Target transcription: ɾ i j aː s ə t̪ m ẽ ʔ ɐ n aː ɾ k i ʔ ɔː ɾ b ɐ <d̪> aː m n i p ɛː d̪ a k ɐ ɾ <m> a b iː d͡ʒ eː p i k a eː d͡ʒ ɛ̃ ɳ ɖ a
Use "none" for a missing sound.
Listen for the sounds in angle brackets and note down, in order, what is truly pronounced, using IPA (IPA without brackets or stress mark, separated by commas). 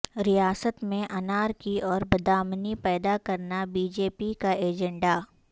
d̪, n